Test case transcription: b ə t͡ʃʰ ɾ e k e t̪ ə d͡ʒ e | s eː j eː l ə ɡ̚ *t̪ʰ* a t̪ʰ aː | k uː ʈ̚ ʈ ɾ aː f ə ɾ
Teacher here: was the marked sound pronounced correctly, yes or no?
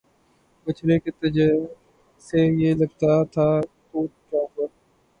no